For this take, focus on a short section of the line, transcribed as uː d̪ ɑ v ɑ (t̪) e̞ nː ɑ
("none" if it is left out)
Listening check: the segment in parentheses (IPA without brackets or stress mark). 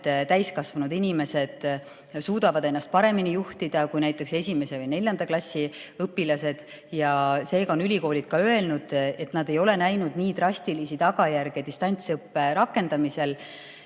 d̪